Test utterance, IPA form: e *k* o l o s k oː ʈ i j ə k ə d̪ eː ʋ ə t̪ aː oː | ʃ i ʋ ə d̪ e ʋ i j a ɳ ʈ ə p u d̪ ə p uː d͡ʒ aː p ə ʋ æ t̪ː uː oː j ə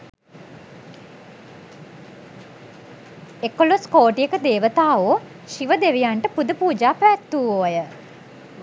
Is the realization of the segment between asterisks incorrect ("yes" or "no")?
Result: no